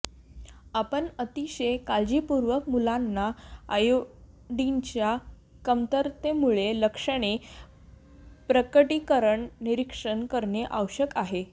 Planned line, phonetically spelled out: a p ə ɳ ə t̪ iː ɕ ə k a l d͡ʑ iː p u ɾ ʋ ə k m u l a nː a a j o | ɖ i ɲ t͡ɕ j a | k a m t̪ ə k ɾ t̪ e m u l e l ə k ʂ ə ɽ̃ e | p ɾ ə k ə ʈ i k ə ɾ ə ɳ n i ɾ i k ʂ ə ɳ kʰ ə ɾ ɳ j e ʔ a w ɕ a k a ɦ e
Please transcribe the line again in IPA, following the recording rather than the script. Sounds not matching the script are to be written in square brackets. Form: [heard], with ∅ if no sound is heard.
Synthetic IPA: a p ə ɳ ə t̪ [i] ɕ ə k a l d͡ʑ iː p u ɾ ʋ ə k m u l a nː a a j o | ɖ i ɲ t͡ɕ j a | k [ə] m t̪ ə [∅] ɾ t̪ e m u [ɭ] e l ə k ʂ ə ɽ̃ e | p ɾ ə k ə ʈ i k ə ɾ ə ɳ n i ɾ i k ʂ ə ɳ [k] ə ɾ ɳ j e ʔ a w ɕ [ə] k a ɦ e